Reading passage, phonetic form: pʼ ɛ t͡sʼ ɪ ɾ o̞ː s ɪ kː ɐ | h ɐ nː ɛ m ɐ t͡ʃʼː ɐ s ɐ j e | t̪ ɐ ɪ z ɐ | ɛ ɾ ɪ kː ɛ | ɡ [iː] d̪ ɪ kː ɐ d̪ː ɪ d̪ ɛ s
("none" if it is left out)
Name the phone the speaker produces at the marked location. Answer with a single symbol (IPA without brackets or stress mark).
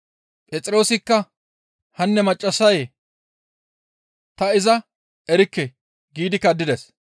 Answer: iː